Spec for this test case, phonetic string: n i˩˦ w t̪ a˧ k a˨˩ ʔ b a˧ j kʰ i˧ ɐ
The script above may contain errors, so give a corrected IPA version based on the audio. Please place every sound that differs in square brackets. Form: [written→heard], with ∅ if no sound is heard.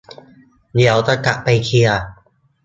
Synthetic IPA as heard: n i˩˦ w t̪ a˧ k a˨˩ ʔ [b→p] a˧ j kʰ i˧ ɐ